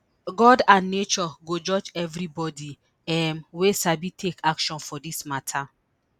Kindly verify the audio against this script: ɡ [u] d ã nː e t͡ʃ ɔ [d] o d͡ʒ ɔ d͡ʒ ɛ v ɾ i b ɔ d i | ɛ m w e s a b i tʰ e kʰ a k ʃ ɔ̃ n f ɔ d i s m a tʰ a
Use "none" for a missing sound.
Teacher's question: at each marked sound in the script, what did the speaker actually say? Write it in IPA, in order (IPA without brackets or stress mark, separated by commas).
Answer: ɔ, ɡ